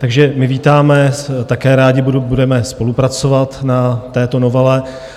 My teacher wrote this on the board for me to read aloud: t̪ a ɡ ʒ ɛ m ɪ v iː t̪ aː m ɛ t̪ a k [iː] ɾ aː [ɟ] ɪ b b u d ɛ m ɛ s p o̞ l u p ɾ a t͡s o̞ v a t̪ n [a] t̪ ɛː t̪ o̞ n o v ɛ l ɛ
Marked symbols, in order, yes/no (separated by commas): no, yes, yes